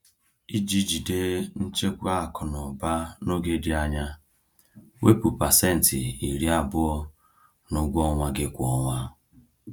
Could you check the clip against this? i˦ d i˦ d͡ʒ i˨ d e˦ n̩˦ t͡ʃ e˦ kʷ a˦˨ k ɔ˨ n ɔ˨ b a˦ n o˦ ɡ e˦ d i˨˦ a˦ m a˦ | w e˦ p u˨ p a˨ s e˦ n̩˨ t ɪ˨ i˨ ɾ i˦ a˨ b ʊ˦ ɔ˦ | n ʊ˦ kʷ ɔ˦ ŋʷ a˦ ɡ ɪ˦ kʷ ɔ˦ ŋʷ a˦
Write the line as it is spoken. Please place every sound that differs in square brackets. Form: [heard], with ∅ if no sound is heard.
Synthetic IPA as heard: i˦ [d͡ʒ] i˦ d͡ʒ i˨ d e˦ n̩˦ t͡ʃ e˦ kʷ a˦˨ k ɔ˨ n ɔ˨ b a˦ n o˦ ɡ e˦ d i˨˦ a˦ [ɲ] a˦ | w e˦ p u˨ p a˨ s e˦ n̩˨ t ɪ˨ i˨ ɾ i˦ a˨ b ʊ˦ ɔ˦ | n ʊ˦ [ɡʷ] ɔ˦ ŋʷ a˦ ɡ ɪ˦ kʷ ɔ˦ ŋʷ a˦